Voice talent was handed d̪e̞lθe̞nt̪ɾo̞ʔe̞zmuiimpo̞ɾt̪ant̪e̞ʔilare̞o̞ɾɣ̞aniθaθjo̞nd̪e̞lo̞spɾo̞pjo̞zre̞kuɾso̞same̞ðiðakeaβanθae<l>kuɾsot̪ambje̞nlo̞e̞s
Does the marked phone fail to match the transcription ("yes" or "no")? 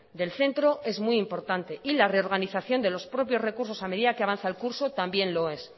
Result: no